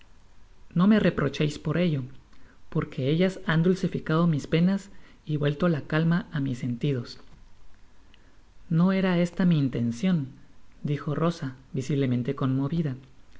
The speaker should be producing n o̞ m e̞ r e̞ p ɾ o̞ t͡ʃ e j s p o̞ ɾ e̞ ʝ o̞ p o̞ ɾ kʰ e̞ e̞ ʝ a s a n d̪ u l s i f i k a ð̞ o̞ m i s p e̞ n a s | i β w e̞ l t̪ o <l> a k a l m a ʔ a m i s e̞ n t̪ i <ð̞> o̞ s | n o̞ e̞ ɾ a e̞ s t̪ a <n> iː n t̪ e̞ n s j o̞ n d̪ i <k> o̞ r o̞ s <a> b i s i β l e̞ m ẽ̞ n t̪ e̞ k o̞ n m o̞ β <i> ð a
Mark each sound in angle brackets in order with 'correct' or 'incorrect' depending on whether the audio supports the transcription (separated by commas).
correct, correct, incorrect, incorrect, correct, correct